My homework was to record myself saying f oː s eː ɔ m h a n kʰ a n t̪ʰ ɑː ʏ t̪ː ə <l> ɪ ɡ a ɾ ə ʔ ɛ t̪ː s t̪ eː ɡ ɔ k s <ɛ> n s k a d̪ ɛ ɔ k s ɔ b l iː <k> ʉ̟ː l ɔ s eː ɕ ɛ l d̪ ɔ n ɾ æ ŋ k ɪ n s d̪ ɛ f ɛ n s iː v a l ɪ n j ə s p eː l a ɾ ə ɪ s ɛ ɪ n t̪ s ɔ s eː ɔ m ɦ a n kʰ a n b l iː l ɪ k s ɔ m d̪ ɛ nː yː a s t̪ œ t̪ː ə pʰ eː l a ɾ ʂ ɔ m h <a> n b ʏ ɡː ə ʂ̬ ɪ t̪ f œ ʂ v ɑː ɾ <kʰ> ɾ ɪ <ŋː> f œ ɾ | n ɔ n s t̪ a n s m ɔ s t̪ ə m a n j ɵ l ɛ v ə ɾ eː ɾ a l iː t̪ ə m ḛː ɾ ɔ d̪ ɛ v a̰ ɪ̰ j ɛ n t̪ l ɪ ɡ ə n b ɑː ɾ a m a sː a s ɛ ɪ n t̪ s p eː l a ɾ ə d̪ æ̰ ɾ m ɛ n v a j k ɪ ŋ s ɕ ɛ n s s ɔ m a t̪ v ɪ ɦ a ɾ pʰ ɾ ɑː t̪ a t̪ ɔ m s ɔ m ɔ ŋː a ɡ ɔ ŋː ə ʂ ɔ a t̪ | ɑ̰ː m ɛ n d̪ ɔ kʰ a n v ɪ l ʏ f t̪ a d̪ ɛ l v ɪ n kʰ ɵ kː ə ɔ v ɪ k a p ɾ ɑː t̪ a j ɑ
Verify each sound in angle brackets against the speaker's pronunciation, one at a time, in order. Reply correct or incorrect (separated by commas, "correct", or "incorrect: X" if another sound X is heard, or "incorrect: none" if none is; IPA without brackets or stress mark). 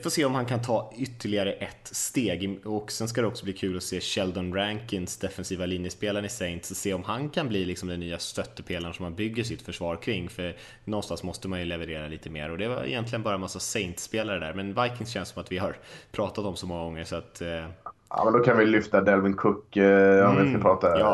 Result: incorrect: ɭ, correct, incorrect: kʰ, correct, correct, correct